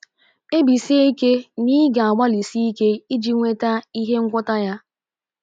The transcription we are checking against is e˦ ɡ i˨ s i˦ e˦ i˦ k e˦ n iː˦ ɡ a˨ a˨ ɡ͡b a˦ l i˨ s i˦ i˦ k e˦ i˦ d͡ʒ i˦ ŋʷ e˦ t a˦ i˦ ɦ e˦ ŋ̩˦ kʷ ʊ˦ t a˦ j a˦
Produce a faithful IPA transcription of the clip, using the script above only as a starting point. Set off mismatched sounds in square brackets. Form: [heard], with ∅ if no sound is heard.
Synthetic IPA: e˦ [b] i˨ s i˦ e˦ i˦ k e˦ n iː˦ ɡ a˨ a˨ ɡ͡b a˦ l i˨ s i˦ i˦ k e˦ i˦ d͡ʒ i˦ ŋʷ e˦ t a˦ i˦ ɦ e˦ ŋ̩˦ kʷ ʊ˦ t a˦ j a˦